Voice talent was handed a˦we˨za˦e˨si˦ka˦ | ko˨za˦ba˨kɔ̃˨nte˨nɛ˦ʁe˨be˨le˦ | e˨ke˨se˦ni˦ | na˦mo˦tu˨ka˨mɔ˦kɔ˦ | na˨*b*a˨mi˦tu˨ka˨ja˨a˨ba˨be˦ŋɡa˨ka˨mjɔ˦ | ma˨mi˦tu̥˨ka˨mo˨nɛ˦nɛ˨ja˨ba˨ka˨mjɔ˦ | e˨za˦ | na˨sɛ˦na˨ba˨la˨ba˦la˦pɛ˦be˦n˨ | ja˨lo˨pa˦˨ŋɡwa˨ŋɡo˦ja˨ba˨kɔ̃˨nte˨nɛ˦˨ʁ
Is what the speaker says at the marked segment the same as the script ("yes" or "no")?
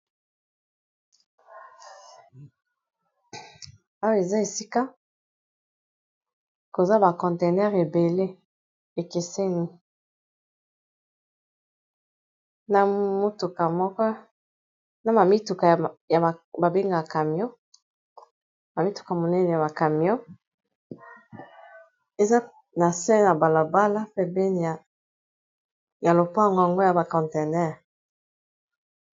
no